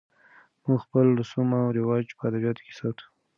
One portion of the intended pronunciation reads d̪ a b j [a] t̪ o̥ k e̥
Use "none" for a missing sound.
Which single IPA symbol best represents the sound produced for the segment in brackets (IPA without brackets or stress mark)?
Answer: ɑ